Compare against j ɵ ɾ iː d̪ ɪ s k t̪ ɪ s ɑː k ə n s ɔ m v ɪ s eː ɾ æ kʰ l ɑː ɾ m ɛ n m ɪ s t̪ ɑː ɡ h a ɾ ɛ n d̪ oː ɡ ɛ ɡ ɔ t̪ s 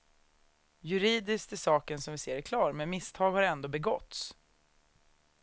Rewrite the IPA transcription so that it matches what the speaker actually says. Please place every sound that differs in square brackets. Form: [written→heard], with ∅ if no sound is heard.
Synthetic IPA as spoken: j ɵ ɾ iː d̪ ɪ s k t̪ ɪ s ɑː k ə n s ɔ m v ɪ s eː ɾ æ kʰ l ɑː ɾ m ɛ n m ɪ s [t̪→t̪ʰ] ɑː ɡ h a ɾ ɛ n d̪ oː [ɡ→b] ɛ ɡ ɔ t̪ s

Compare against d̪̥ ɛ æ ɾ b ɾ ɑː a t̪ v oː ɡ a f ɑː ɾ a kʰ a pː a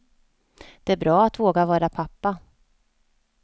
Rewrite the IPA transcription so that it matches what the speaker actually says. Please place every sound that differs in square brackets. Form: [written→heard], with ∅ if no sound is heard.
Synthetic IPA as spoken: d̪̥ ɛ æ ɾ b ɾ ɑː a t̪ v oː ɡ a [f→v] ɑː ɾ a [kʰ→pʰ] a pː a

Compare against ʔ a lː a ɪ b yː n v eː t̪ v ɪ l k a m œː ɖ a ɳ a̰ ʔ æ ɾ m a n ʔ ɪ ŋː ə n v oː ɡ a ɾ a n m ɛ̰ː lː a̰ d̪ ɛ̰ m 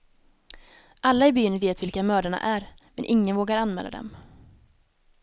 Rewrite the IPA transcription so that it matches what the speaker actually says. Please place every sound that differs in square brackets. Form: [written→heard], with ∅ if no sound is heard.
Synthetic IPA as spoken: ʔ a lː a ɪ b yː n v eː t̪ v ɪ l k a m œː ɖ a ɳ a̰ ʔ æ ɾ m [a→ɛ] n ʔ ɪ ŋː ə n v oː ɡ a ɾ a n m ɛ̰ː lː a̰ d̪ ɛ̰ m

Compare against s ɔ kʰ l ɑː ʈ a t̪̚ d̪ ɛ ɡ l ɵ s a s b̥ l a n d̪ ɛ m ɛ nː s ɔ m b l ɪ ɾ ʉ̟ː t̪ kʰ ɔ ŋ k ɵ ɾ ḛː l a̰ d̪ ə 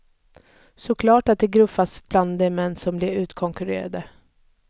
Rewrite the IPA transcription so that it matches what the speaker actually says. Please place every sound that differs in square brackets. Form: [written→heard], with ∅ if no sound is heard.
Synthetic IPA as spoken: s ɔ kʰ l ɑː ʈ a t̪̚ d̪ ɛ ɡ [l→ɾ] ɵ [s→f] a s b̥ l a n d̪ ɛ m ɛ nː s ɔ m b l ɪ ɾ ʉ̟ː t̪ kʰ ɔ ŋ k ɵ ɾ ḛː [l→ɾ] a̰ d̪ ə

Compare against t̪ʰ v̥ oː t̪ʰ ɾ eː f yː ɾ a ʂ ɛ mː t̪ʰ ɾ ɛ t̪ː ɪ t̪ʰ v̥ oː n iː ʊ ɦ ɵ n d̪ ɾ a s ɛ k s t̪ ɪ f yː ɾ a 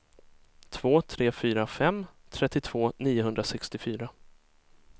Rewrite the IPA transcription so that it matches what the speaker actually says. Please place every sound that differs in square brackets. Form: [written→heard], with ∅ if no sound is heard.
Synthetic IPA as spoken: t̪ʰ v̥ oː t̪ʰ ɾ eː f yː ɾ a [ʂ→f] ɛ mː t̪ʰ ɾ ɛ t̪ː ɪ t̪ʰ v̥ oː n iː ʊ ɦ ɵ n d̪ ɾ a s ɛ k s t̪ ɪ f yː ɾ a

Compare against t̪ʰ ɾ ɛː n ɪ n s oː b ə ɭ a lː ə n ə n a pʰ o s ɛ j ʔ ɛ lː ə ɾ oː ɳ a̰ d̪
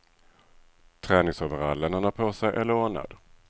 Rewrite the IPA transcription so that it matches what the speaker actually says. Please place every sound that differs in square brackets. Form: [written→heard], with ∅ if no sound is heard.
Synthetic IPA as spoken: t̪ʰ ɾ ɛː n ɪ [n→ŋ] s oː [b→v] ə [ɭ→ɾ] a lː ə n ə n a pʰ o s ɛ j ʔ ɛ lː ə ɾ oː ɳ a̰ d̪

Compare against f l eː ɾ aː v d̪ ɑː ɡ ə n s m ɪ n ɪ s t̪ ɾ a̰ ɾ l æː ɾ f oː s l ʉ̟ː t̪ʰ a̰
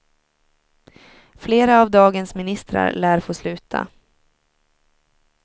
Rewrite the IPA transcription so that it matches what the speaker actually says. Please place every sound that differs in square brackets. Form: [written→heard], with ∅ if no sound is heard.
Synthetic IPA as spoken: f l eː ɾ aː v d̪ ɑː ɡ ə n s m ɪ n ɪ s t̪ ɾ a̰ ɾ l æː ɾ f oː s l ʉ̟ː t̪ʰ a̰

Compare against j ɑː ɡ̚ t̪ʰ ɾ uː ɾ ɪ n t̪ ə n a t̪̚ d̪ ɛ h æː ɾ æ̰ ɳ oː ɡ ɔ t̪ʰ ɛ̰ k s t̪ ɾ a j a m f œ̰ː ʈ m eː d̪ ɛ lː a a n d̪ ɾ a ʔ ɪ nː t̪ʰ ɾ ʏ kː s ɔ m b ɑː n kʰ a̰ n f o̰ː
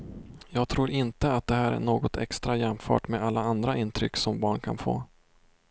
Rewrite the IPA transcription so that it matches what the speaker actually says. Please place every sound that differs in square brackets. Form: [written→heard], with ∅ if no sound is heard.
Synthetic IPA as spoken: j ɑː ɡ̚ t̪ʰ ɾ uː ɾ ɪ n t̪ ə [n→∅] a t̪̚ d̪ ɛ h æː ɾ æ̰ ɳ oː ɡ ɔ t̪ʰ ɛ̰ k s t̪ ɾ a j [a→ɛ] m f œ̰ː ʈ m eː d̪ [ɛ→a] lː a a n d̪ ɾ a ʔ ɪ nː t̪ʰ ɾ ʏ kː s ɔ m b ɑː [n→ɳ] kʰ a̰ n f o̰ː

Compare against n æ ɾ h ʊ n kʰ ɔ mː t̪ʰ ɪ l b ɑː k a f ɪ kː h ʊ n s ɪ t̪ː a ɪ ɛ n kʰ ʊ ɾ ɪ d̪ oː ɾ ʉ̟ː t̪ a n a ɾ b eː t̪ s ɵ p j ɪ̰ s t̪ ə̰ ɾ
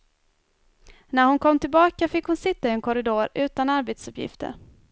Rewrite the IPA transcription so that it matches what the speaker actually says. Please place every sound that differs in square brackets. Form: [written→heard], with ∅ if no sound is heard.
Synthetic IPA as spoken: n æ ɾ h ʊ n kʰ ɔ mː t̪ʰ ɪ l b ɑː k a f ɪ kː h ʊ n s ɪ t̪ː a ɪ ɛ n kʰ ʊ ɾ ɪ d̪ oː ɾ ʉ̟ː t̪ a n a ɾ b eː t̪ s ɵ p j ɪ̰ [s→f] t̪ ə̰ ɾ

